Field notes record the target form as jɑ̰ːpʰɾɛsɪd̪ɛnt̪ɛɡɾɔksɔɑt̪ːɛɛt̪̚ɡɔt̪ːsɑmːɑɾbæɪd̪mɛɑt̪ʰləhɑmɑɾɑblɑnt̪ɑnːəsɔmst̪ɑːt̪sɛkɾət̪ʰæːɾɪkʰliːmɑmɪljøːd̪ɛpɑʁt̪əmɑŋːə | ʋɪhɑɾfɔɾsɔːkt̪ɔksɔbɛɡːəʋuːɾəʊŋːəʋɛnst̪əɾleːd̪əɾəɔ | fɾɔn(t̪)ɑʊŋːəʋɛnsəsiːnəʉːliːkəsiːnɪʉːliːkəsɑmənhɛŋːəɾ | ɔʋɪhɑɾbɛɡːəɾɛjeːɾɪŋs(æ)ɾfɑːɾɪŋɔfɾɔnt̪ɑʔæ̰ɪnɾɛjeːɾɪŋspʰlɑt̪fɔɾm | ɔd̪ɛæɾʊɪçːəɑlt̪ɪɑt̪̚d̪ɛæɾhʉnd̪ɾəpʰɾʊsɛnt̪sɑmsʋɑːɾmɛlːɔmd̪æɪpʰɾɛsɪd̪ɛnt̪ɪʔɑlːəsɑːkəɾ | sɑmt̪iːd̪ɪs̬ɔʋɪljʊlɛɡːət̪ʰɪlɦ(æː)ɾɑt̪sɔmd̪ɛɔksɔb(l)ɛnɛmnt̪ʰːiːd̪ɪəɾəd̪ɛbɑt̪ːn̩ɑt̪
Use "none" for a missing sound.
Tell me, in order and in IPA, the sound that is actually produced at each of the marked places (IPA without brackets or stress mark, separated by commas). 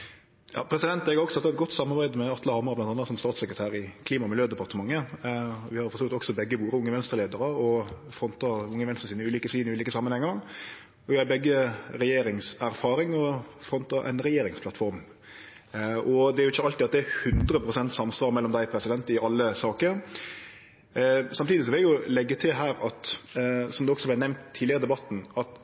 t̪, æ, æː, l